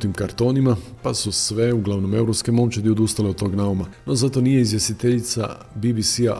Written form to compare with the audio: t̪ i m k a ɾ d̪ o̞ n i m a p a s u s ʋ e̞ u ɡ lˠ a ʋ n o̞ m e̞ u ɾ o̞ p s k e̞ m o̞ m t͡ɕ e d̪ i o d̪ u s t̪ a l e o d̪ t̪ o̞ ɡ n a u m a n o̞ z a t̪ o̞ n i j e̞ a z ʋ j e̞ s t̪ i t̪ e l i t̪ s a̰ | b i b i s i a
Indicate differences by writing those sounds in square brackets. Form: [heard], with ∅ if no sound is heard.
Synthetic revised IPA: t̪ i m k a ɾ [t̪] o̞ n i m a p a s u s ʋ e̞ u ɡ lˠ a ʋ n o̞ m e̞ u ɾ o̞ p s k e̞ m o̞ m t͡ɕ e d̪ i o d̪ u s t̪ a l e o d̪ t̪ o̞ ɡ n a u m a n o̞ z a t̪ o̞ n i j e̞ [i] z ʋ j e̞ s t̪ i t̪ e [ʎ] i t̪ s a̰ | b i b i s i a